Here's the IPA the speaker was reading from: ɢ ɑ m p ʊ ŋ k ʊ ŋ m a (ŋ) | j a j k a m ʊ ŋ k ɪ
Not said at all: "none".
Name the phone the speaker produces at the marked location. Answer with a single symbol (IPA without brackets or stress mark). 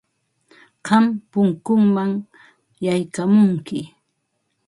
ŋ